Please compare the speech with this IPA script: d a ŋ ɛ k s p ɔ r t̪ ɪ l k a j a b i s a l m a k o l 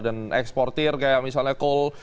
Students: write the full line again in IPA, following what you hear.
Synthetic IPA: d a n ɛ k s p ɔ r t̪ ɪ r k a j a m i s a l ɲ a k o l